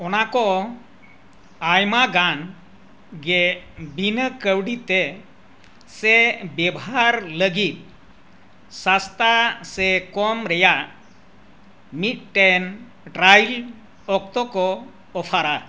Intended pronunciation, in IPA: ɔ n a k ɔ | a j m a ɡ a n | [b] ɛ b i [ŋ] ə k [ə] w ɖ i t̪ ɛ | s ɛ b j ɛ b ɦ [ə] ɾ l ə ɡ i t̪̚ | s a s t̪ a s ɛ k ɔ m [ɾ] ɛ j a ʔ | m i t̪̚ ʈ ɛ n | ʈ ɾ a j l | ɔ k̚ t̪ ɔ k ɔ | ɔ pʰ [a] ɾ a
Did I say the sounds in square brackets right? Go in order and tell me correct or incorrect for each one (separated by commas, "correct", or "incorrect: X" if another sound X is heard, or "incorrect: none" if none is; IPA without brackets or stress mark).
incorrect: ɡ, incorrect: n, correct, incorrect: a, correct, correct